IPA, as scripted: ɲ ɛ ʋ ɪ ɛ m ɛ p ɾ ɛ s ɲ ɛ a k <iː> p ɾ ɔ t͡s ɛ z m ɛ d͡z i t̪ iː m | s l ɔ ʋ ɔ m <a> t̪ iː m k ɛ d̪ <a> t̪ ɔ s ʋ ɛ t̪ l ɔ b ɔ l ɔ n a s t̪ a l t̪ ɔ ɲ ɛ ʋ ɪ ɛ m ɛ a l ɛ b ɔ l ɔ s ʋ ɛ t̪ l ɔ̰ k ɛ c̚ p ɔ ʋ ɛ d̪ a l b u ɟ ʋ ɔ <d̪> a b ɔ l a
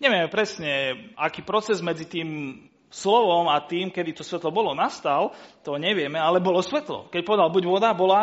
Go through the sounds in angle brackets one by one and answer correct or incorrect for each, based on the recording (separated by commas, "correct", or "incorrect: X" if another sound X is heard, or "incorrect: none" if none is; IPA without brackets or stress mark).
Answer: correct, correct, incorrect: i, correct